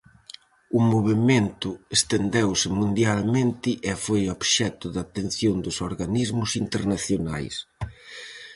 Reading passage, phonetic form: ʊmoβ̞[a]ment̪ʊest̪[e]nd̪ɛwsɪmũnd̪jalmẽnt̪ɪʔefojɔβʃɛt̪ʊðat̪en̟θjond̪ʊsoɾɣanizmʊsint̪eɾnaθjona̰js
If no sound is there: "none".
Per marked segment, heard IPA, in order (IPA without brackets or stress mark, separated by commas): e, e